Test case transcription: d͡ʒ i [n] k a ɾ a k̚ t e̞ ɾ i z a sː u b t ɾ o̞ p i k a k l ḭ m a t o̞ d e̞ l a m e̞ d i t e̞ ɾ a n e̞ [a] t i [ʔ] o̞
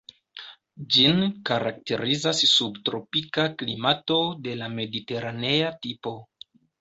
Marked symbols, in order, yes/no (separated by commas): yes, yes, no